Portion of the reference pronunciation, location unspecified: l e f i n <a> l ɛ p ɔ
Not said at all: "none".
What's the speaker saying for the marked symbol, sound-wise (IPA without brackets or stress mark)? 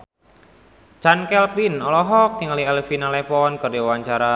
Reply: a